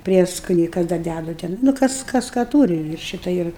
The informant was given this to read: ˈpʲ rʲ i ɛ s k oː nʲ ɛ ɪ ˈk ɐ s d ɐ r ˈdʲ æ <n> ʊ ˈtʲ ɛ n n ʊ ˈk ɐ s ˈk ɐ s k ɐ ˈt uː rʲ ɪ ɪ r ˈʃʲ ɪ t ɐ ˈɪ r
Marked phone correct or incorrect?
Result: incorrect